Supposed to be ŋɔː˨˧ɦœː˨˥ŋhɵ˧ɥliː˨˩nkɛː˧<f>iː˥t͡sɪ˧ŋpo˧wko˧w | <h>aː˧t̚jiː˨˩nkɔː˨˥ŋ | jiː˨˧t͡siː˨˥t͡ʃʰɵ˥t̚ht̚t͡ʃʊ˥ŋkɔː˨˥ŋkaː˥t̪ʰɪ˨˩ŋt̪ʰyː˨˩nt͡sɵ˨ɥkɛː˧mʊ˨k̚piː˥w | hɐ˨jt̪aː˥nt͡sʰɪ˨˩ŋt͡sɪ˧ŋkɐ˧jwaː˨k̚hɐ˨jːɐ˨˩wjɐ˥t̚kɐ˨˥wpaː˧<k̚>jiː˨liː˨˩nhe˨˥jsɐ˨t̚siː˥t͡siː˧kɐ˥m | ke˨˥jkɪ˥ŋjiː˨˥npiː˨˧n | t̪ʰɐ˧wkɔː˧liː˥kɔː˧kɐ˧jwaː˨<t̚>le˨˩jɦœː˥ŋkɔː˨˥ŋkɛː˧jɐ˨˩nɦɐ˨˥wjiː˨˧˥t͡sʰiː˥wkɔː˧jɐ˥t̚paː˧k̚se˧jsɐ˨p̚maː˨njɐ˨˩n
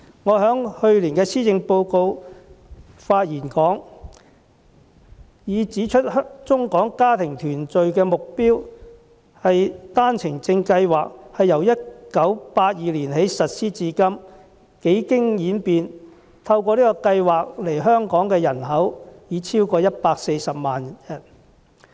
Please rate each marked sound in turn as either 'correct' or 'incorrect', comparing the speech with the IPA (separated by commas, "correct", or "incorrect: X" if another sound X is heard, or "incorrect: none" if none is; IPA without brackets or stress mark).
incorrect: s, incorrect: f, incorrect: t̚, incorrect: k̚